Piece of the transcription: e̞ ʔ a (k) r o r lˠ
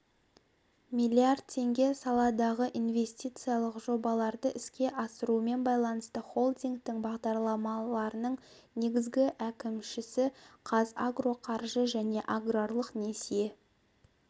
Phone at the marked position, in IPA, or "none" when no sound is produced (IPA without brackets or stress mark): ɡ